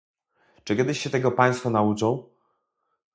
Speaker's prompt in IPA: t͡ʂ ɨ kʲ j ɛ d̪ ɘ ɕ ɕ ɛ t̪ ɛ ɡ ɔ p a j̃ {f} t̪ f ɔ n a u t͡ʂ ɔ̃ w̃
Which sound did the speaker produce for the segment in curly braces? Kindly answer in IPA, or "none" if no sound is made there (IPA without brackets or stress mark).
s